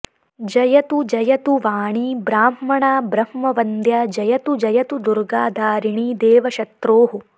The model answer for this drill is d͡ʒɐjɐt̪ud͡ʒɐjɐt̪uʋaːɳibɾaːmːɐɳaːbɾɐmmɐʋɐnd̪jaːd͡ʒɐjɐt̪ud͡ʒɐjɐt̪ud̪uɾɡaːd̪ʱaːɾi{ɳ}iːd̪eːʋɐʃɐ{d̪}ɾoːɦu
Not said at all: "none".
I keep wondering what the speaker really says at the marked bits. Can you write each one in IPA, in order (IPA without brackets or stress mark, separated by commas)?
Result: ɳ, t̪